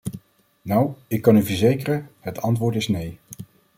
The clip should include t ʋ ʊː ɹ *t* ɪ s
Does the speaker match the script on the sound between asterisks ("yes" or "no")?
yes